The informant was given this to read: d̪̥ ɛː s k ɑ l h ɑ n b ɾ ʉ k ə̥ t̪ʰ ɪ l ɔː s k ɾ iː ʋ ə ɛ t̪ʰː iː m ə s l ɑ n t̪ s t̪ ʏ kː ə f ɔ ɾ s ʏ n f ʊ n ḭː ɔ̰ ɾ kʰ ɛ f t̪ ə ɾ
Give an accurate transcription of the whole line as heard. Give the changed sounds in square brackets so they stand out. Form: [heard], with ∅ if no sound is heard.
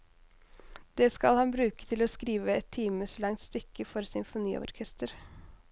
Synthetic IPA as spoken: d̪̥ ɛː s k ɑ l h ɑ n b ɾ [ʉː] k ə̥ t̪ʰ ɪ l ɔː s k ɾ iː ʋ ə ɛ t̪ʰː iː m ə s l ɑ [ŋ] t̪ s t̪ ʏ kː ə f ɔ ɾ s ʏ n f ʊ n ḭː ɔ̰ ɾ kʰ ɛ [s] t̪ ə ɾ